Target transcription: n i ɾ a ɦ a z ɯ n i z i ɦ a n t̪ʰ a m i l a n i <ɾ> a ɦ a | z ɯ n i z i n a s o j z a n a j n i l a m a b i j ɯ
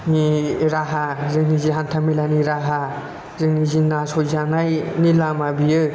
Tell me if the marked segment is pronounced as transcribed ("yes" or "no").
yes